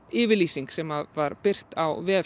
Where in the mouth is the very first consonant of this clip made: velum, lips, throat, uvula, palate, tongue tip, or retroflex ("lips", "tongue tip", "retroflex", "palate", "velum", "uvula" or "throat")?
lips